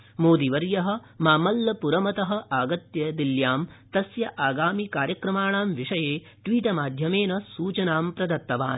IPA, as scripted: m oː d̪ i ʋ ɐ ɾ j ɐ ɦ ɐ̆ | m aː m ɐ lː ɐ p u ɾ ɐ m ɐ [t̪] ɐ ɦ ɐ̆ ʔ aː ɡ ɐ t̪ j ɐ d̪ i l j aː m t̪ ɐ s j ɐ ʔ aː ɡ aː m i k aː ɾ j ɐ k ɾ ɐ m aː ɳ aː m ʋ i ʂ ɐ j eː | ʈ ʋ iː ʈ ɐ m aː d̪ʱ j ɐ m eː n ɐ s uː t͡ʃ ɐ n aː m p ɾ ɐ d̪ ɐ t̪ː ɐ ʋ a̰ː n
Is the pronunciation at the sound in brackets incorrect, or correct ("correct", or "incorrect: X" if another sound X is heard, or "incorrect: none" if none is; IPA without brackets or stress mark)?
correct